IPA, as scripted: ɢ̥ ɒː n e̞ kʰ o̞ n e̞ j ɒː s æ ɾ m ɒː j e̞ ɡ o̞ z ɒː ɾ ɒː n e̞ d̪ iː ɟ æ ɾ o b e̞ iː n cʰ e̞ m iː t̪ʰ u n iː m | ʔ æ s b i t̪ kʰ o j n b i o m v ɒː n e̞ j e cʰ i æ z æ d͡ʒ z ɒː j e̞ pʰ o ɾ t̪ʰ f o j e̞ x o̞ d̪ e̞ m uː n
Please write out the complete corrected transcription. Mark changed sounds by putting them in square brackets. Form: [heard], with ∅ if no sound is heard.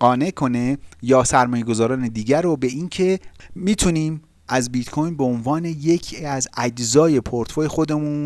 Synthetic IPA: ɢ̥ ɒː n e̞ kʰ o̞ n e̞ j ɒː s æ ɾ m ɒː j e̞ ɡ o̞ z ɒː ɾ ɒː n e̞ d̪ iː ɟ æ ɾ o b e̞ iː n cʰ e̞ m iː t̪ʰ u n iː m | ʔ æ [z] b i t̪ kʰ o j n b [e] o [n] v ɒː n e̞ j e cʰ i æ z æ d͡ʒ z ɒː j e̞ pʰ o ɾ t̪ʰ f o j e̞ x o̞ d̪ e̞ m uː n